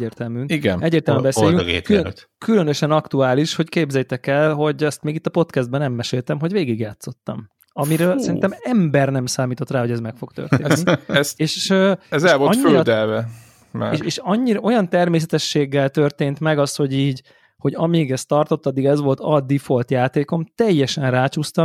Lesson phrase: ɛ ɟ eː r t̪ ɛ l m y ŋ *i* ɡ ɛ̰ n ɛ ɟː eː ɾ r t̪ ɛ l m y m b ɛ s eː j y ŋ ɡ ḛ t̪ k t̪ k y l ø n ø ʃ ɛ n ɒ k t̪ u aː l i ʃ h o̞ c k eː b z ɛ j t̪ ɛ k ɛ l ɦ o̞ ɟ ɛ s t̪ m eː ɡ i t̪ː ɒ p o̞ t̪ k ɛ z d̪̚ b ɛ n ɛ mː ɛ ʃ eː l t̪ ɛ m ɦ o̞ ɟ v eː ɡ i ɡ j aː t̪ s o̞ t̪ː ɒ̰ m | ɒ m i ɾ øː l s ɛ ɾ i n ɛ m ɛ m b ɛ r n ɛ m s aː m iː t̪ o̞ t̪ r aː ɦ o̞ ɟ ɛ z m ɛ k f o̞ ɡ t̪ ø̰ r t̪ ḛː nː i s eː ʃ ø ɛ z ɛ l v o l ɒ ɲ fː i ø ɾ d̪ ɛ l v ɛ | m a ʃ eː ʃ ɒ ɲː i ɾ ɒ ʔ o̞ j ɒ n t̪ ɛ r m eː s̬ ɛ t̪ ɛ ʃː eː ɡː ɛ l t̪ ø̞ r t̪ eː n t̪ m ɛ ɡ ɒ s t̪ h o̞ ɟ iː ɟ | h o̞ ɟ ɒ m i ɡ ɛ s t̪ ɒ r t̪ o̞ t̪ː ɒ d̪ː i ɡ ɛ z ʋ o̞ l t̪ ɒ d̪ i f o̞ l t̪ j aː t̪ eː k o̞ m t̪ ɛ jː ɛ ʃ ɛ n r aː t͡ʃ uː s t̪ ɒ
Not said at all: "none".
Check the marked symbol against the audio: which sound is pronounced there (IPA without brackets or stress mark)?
i